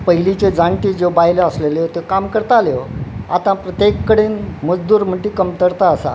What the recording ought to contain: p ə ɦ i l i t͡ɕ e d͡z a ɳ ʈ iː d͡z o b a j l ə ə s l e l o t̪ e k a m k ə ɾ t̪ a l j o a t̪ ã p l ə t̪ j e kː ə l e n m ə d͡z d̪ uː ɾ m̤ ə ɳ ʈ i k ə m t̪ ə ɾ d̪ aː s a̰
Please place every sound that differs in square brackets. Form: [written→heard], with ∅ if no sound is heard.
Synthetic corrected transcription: p ə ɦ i l i t͡ɕ e d͡z a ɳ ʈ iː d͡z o b a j l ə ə s l e l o t̪ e k a m k ə ɾ t̪ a l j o a t̪ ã p [l→ɾ] ə t̪ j e kː ə [l→ɽ] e n m ə d͡z d̪ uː ɾ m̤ ə ɳ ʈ i k ə m t̪ ə ɾ [d̪→t̪] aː s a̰